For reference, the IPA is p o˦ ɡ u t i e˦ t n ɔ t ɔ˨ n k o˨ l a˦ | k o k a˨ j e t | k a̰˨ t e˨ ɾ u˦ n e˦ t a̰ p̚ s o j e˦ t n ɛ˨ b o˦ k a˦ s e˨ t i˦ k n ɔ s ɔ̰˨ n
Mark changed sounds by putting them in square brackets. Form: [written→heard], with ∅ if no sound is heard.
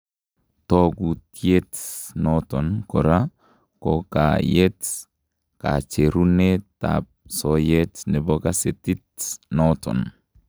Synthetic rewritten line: [p→t] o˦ ɡ u t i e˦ t n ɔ t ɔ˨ n k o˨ [l→ɾ] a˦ | k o k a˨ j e t | k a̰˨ [t→t͡ʃ] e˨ ɾ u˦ n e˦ t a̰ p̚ s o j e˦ t n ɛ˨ b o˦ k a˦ s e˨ t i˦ [k→t] n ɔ [s→t] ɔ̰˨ n